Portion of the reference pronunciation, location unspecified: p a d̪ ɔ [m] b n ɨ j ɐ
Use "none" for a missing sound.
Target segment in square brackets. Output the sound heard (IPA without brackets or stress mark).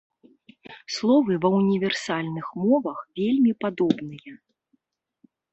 none